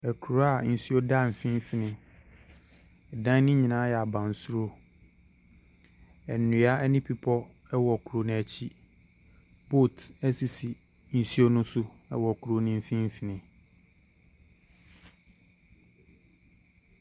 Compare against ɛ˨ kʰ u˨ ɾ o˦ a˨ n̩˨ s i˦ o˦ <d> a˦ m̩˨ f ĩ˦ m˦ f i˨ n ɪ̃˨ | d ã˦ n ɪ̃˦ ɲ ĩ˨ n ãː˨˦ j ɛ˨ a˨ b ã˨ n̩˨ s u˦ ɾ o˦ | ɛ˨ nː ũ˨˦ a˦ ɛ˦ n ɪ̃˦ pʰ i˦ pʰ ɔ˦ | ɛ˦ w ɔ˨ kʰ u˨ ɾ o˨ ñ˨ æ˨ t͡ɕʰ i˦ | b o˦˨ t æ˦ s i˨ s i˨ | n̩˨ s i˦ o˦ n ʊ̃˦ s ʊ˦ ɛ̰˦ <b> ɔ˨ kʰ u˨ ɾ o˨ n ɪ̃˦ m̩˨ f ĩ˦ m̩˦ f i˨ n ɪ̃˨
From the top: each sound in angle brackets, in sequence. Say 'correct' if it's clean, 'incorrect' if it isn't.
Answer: correct, incorrect: w

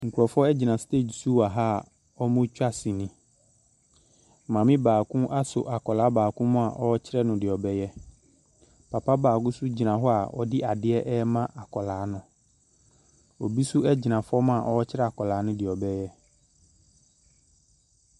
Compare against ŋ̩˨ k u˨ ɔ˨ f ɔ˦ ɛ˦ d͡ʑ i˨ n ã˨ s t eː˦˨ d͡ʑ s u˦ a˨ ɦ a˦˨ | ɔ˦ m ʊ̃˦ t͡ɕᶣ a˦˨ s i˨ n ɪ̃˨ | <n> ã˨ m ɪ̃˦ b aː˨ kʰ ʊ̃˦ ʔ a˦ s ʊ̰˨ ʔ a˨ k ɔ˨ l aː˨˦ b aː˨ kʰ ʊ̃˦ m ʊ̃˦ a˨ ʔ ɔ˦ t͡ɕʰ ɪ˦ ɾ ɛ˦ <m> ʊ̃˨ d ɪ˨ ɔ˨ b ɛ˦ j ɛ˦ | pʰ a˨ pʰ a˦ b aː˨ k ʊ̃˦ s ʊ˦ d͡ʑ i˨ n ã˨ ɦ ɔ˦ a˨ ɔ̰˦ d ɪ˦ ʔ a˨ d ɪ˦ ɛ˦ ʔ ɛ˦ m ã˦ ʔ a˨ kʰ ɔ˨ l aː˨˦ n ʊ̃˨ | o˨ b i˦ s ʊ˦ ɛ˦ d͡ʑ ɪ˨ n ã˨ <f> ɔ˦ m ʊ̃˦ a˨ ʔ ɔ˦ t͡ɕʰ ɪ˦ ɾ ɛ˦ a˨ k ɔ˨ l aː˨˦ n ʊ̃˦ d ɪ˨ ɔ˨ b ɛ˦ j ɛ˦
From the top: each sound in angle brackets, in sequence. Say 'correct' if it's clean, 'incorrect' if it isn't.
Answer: incorrect: m, incorrect: n, correct

